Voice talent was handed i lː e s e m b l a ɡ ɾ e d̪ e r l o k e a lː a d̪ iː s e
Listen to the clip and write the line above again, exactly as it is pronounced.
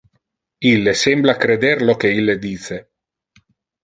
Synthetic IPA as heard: i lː e s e m b l a k ɾ e d̪ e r l o k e i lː e d̪ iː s e